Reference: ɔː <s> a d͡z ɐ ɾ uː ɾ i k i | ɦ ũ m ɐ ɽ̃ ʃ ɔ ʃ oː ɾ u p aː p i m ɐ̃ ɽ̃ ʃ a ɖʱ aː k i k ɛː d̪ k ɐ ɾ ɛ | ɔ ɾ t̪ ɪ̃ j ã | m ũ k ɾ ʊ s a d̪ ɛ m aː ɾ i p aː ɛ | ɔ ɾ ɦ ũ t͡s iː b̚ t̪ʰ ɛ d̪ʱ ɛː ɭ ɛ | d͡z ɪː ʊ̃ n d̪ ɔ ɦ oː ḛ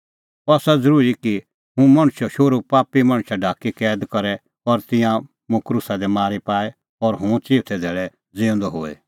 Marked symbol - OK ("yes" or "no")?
yes